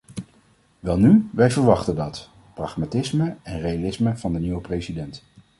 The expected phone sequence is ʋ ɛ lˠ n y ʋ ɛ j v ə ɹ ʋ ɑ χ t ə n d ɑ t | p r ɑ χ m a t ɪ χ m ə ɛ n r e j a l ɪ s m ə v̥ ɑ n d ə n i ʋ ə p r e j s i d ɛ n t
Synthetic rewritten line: ʋ ɛ lˠ n y ʋ ɛ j v ə ɹ ʋ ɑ χ t ə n d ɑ t | p r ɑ χ m a t ɪ s m ə ɛ n r e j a l ɪ s m ə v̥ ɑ n d ə n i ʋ ə p r e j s i d ɛ n t